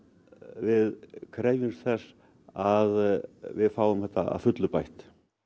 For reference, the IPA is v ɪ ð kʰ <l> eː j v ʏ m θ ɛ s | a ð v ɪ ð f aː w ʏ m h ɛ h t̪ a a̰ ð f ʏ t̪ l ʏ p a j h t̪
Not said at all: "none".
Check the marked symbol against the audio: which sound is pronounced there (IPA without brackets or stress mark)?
ɾ